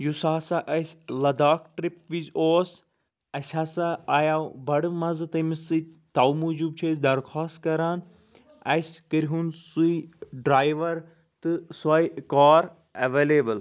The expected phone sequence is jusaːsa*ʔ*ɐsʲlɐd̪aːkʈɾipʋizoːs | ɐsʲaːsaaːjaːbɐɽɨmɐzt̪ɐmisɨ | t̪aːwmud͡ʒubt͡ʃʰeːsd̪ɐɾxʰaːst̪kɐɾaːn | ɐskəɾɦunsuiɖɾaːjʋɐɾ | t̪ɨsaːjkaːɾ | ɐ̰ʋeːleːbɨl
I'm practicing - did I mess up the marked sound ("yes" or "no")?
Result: no